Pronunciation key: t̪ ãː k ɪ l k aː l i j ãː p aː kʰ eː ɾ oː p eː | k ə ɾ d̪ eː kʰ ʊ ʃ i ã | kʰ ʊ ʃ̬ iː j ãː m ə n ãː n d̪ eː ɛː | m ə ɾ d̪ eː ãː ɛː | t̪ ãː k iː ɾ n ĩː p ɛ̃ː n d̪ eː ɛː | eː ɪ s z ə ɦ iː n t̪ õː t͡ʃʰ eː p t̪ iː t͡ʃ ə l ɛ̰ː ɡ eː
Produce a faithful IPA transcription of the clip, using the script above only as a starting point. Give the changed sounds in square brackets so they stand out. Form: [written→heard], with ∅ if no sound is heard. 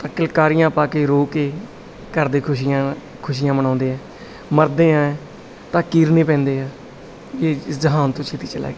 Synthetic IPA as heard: t̪ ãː k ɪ l k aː [l→ɾ] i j ãː p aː [kʰ→k] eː ɾ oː [p→k] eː | k ə ɾ d̪ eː kʰ ʊ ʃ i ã | kʰ ʊ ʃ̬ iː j ãː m ə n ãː n d̪ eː ɛː | m ə ɾ d̪ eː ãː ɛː | t̪ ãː k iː ɾ n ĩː p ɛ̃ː n d̪ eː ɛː | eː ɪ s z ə ɦ [iː→aː] n t̪ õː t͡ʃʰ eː [p→∅] t̪ iː t͡ʃ ə l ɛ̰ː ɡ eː